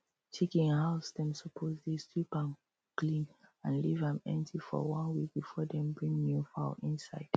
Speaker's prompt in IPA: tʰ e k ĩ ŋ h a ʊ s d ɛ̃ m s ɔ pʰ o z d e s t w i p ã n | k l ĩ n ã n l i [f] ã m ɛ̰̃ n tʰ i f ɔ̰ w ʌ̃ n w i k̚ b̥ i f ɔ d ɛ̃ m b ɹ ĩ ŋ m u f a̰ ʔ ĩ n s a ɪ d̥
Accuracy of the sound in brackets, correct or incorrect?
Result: incorrect